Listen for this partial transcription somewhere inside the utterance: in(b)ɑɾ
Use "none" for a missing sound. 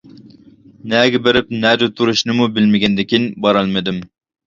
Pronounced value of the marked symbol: b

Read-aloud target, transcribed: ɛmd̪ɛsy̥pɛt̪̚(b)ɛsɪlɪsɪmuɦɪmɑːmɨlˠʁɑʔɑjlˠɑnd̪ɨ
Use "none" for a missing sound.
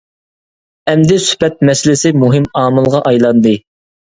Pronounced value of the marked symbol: m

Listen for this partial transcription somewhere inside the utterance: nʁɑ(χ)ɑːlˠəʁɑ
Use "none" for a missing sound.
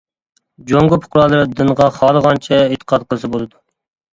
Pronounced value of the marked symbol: χ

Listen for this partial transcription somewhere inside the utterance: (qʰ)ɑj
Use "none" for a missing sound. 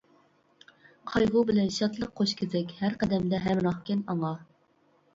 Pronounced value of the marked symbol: qʰ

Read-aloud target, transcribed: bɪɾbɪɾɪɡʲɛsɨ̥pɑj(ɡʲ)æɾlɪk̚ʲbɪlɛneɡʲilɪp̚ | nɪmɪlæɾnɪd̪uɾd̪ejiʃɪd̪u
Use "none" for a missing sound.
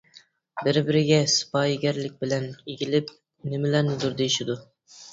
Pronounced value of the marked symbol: ɡʲ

